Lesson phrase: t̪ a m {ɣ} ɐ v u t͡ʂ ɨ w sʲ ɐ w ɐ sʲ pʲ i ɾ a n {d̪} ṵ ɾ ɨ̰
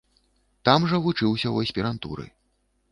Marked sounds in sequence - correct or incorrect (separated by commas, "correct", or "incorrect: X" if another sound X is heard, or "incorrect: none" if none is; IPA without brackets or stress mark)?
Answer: incorrect: ʐ, incorrect: t̪